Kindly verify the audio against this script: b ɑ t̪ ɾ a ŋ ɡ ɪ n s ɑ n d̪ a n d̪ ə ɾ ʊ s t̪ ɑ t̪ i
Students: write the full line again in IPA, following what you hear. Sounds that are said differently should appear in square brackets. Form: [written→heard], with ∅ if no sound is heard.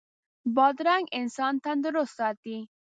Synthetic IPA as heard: b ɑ [t̪→d̪] ɾ a ŋ ɡ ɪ n s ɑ n [d̪→t̪] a n d̪ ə ɾ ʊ s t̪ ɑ t̪ i